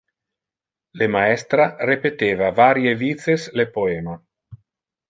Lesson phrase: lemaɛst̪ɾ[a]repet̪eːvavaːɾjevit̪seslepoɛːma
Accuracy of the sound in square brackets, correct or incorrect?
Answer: correct